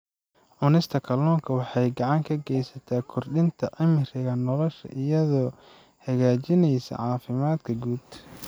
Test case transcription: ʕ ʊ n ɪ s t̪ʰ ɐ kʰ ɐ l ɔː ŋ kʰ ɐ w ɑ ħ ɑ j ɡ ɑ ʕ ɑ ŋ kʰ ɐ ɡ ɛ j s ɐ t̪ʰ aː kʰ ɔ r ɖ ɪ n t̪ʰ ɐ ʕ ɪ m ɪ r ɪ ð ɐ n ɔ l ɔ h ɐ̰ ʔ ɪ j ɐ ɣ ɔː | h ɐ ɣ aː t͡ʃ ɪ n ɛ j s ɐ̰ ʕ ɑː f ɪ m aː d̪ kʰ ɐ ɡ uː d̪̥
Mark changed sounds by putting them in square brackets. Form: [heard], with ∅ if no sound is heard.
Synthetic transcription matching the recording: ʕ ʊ n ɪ s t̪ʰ ɐ kʰ ɐ l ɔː ŋ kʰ ɐ w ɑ ħ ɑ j ɡ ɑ ʕ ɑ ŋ kʰ ɐ ɡ ɛ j s ɐ t̪ʰ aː kʰ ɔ r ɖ ɪ n t̪ʰ ɐ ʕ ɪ m ɪ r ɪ [ɣ] ɐ n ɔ l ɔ [ʃ] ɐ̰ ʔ ɪ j ɐ [ð] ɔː | h ɐ ɣ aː t͡ʃ ɪ n ɛ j s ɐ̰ ʕ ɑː f ɪ m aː d̪ kʰ ɐ ɡ uː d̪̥